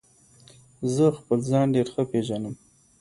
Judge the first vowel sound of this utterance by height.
mid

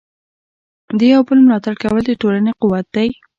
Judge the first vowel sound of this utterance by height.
mid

